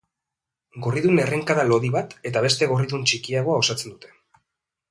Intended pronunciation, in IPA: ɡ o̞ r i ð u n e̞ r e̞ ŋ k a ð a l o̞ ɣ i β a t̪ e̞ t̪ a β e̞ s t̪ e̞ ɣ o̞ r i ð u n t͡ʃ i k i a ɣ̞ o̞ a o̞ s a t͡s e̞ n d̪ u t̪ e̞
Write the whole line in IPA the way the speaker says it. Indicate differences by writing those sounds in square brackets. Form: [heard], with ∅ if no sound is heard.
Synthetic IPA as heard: ɡ o̞ r i ð u n e̞ r e̞ ŋ k a ð a l o̞ [ð] i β a t̪ e̞ t̪ a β e̞ s t̪ e̞ ɣ o̞ r i ð u n t͡ʃ i k i a ɣ̞ o̞ a o̞ s a t͡s e̞ n d̪ u t̪ e̞